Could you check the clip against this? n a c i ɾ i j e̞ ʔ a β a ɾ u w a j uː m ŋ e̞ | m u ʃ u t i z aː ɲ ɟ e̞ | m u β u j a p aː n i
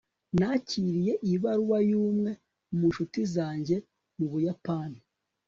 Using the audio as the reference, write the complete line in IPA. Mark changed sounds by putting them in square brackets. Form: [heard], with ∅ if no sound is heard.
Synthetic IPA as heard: n a c i ɾ i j e̞ ʔ [i] β a ɾ u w a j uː m ŋ e̞ | m u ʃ u t i z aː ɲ ɟ e̞ | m u β u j a p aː n i